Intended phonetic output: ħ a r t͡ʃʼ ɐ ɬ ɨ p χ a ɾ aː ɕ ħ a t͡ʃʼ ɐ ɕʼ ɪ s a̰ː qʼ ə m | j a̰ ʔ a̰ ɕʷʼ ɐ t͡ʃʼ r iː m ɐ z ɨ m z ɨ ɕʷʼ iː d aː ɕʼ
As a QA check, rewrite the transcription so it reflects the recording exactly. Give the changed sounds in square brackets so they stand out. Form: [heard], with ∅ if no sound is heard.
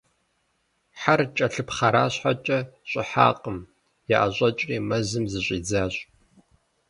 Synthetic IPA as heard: ħ a r t͡ʃʼ ɐ ɬ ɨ p χ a ɾ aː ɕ ħ a t͡ʃʼ ɐ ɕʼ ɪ [ħ] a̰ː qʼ ə m | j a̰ ʔ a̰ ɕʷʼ ɐ t͡ʃʼ r iː m ɐ z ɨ m z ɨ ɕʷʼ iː [d͡z] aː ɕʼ